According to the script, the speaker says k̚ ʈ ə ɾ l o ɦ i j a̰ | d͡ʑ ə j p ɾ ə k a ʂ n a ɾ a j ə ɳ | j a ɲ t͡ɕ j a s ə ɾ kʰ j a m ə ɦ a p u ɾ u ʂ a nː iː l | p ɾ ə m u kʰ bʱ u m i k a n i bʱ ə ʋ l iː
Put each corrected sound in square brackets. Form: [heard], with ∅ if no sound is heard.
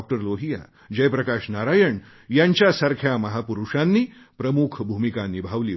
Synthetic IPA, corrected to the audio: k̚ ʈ ə ɾ l o ɦ i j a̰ | d͡ʑ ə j p ɾ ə k a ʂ n a ɾ a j ə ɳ | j a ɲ t͡ɕ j a s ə ɾ kʰ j a m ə ɦ a p u ɾ u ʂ a nː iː [∅] | p ɾ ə m u kʰ bʱ u m i k a n i bʱ [a] ʋ l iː